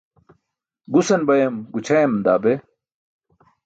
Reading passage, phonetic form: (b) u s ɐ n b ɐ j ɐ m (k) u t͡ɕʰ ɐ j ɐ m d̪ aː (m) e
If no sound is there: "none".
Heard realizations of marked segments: ɡ, ɡ, b

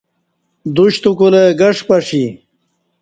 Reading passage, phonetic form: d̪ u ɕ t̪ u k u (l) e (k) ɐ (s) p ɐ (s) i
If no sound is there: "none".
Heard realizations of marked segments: l, ɡ, ʂ, ʂ

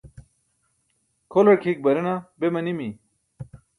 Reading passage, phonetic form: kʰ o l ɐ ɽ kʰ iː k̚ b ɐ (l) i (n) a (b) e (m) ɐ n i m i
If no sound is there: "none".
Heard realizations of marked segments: ɾ, n, b, m

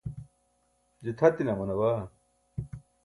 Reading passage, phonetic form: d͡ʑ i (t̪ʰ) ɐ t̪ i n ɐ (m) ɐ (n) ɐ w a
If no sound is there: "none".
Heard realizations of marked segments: t̪ʰ, m, n

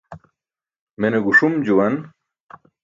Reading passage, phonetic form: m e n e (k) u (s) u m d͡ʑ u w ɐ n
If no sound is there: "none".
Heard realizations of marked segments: ɡ, ʂ

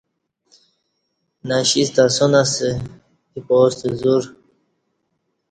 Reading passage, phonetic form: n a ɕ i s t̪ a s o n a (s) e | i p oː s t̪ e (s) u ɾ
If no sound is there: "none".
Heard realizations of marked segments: s, z

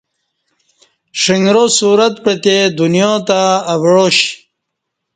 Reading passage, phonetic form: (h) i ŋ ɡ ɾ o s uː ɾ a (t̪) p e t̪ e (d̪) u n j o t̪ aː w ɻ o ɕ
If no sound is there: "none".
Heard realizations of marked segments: ʂ, t̪, d̪

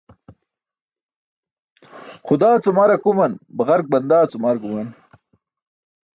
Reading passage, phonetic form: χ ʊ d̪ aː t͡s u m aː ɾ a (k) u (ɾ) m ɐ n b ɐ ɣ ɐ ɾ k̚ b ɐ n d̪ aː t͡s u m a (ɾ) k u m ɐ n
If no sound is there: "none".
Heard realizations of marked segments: k, none, ɾ

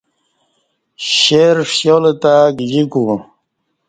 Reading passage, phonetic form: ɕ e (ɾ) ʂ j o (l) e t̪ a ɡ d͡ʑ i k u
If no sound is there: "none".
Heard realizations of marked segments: ɾ, l

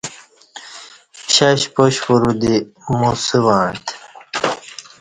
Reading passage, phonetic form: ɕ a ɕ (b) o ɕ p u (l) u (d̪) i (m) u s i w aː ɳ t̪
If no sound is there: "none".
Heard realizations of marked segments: p, ɾ, d̪, m

